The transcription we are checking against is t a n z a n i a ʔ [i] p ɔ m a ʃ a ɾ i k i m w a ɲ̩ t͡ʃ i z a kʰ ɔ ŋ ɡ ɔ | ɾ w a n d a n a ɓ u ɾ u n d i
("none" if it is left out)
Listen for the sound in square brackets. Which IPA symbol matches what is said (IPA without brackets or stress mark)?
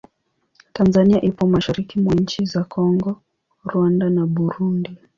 i